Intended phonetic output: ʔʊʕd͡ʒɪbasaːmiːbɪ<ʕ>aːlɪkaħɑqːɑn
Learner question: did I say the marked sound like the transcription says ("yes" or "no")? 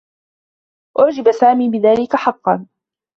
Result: no